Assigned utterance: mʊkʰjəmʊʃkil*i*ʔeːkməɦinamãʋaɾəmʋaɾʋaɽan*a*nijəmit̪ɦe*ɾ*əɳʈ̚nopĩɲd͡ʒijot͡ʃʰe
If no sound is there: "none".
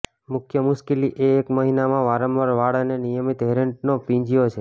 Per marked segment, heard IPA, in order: i, e, ɾ

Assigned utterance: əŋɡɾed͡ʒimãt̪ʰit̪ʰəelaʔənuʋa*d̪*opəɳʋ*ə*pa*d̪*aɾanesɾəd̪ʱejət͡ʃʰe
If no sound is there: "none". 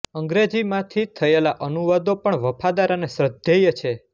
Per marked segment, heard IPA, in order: d̪, ə, d̪

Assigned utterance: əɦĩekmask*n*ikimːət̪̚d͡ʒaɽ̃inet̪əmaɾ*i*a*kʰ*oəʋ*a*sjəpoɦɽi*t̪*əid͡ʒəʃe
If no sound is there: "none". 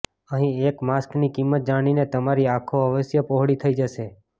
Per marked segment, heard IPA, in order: n, i, kʰ, ə, t̪ʰ

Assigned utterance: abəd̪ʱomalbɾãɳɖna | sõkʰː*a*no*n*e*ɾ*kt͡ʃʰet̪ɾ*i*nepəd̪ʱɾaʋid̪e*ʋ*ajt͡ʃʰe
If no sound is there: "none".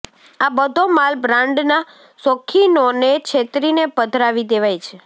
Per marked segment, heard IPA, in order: i, n, none, i, ʋ

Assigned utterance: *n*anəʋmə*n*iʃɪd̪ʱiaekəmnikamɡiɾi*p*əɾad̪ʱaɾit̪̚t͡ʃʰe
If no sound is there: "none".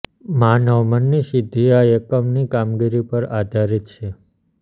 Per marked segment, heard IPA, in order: m, nː, p

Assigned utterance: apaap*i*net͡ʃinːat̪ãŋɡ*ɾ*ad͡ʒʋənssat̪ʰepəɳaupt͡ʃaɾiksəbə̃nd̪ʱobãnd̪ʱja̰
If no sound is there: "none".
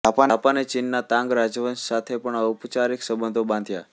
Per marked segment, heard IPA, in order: a, ɾ

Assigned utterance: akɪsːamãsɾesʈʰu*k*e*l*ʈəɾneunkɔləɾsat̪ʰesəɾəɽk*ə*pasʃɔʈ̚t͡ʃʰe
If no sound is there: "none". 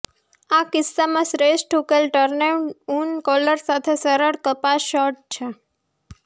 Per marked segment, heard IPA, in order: k, l, ə

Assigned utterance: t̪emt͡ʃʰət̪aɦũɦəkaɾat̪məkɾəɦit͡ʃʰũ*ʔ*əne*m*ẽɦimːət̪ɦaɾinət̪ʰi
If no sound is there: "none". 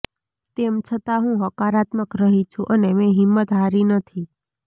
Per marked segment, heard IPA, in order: ʔ, m

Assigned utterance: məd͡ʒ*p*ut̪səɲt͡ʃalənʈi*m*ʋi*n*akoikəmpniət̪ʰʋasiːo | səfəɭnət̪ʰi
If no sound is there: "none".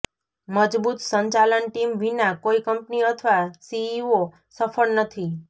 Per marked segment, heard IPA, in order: b, m, n

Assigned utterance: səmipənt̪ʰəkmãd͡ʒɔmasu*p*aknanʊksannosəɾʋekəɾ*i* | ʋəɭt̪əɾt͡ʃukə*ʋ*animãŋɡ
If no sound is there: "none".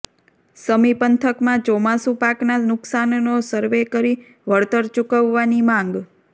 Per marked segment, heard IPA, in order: p, i, ʋː

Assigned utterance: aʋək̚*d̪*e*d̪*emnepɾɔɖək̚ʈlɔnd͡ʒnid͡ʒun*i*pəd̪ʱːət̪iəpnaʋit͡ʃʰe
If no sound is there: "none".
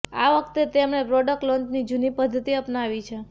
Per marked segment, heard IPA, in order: t̪, t̪, i

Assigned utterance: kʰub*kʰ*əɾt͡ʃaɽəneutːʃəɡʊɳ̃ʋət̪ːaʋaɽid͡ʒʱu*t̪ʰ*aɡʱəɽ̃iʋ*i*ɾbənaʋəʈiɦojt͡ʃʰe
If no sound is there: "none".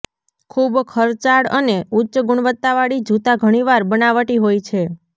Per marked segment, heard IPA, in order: kʰ, t̪, a

